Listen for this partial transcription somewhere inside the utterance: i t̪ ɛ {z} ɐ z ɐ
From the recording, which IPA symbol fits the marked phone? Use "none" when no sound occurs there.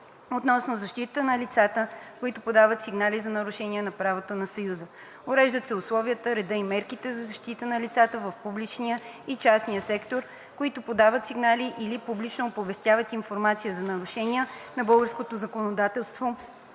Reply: z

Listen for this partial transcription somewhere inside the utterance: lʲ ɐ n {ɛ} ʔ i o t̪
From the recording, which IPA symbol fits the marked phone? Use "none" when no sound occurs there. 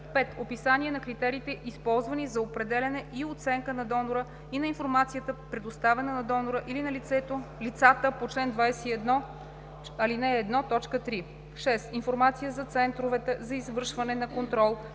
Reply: ɛ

